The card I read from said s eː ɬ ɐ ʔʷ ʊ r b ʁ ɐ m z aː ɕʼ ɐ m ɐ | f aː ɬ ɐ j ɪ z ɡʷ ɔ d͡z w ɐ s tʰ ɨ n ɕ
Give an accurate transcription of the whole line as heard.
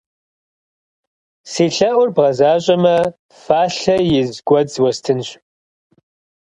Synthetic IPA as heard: s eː ɬ ɐ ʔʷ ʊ r b ʁ ɐ z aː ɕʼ ɐ m ɐ | f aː ɬ ɐ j ɪ z ɡʷ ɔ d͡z w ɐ s tʰ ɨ n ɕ